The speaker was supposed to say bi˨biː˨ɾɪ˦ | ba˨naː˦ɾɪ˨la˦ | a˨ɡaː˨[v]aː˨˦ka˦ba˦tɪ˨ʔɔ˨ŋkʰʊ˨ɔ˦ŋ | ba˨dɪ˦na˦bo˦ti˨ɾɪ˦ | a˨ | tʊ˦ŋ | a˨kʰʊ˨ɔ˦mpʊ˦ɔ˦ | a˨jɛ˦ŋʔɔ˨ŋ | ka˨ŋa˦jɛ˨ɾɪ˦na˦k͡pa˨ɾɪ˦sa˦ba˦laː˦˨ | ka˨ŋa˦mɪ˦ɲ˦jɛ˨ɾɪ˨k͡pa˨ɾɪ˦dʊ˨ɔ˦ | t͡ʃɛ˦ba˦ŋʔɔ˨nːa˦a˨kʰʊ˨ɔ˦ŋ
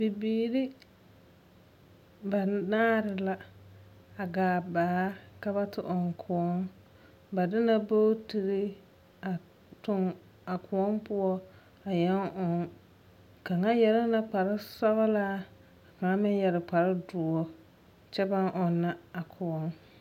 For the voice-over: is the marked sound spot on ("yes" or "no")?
no